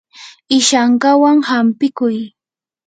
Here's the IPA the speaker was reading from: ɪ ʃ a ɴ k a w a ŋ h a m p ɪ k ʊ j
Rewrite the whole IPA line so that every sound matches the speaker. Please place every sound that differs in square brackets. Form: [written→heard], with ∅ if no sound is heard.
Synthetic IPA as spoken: ɪ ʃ a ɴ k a w a ŋ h a m p ɪ k ʊ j